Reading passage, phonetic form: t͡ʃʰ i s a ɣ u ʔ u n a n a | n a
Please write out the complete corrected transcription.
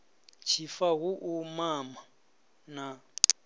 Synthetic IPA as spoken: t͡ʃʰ i f a ɣ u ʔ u m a m a | n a